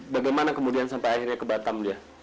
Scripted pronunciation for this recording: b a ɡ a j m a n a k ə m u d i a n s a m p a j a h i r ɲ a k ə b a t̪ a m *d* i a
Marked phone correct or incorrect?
correct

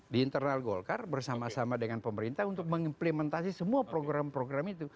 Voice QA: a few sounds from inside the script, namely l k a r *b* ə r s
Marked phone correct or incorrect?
correct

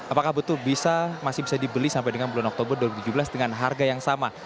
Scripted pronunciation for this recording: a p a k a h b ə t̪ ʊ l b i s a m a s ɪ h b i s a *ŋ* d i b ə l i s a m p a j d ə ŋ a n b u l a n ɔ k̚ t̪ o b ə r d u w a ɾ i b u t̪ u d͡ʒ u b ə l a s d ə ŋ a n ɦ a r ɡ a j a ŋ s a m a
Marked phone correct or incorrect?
incorrect: none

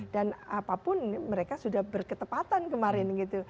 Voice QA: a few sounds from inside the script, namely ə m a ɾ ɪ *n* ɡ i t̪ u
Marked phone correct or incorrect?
correct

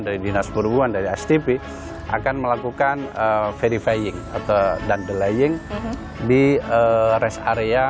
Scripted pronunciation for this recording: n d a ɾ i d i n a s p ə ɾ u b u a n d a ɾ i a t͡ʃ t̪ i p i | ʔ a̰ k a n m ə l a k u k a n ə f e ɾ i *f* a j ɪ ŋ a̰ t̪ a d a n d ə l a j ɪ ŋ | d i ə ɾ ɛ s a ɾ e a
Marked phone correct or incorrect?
correct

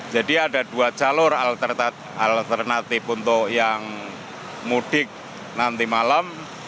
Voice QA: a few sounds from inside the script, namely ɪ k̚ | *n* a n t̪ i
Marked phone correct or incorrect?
correct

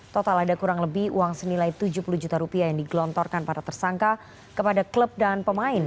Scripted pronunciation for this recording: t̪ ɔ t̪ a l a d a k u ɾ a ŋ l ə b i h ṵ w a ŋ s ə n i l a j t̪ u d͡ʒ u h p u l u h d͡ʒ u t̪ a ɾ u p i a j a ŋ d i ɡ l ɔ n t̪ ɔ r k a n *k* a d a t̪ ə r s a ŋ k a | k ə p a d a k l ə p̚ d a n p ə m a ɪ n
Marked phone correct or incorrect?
incorrect: p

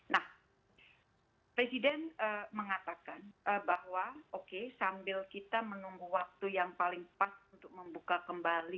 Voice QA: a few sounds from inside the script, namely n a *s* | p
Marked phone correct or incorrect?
incorrect: h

